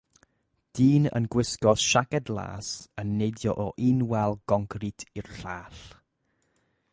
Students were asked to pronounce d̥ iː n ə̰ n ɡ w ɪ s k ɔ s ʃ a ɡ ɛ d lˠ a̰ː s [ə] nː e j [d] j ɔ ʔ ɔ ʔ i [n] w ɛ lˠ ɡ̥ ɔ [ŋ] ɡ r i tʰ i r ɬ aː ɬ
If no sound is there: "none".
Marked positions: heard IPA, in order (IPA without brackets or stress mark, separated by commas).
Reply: ə, d, n, ŋ